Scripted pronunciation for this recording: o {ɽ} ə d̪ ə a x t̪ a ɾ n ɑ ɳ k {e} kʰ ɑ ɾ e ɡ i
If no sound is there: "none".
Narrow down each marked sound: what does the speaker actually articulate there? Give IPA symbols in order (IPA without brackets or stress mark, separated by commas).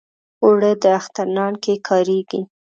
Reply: ɽ, e